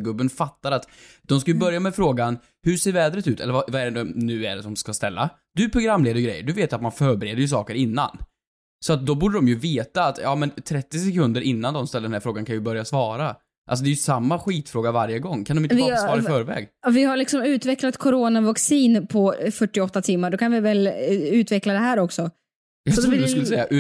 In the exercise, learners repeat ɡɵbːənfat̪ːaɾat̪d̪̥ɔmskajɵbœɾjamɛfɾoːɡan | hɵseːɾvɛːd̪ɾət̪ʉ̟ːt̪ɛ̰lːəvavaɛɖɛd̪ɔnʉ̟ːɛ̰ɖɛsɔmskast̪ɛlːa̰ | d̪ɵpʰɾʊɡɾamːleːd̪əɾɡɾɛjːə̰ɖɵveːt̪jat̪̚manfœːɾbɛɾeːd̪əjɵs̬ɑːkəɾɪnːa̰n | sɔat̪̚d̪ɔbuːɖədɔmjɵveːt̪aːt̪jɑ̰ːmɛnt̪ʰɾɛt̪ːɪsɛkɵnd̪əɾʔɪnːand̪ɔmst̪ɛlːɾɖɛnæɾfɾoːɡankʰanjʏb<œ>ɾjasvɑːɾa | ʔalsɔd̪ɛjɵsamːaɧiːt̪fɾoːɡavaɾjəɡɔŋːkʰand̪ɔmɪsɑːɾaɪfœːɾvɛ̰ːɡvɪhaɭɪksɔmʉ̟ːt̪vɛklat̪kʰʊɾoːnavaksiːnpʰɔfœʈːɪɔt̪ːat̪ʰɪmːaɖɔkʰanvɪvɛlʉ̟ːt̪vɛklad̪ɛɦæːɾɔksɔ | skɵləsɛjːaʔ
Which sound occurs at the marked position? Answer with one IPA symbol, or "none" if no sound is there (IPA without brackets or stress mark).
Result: œ